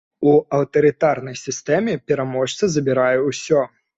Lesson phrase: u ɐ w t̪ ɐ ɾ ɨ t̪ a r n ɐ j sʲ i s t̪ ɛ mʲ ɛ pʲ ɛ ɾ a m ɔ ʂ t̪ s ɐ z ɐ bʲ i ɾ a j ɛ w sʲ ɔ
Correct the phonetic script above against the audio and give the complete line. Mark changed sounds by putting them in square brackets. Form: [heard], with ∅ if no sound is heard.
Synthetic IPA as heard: u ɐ w t̪ ɐ ɾ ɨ t̪ a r n ɐ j sʲ i s t̪ ɛ mʲ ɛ pʲ ɛ ɾ a m ɔ ʂ t̪ s ɐ z ɐ bʲ i ɾ a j ɛ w sʲ ɔ